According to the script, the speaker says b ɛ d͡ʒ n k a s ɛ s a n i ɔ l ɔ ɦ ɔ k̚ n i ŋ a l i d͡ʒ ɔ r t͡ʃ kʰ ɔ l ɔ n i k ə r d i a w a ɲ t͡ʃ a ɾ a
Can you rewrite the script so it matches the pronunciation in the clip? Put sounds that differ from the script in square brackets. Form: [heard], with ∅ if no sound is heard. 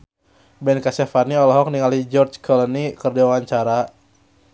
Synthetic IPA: b ɛ [∅] n k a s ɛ [f] a n i ɔ l ɔ ɦ ɔ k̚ n i ŋ a l i d͡ʒ ɔ r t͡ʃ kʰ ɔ l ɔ n i k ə r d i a w a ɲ t͡ʃ a ɾ a